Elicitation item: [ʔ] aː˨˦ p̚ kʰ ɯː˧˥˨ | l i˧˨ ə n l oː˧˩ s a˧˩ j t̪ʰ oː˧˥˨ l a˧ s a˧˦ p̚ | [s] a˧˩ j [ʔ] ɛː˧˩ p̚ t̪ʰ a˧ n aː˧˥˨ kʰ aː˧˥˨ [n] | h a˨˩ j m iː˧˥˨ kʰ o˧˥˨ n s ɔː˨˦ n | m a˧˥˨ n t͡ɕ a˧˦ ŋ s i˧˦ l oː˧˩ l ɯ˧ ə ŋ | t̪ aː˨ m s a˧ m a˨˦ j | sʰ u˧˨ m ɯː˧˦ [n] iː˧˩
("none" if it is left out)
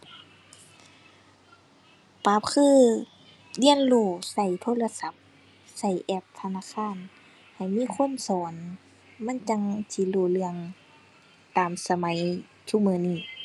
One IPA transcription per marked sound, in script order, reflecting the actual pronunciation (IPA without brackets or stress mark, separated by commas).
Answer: p, s, ʔ, n, n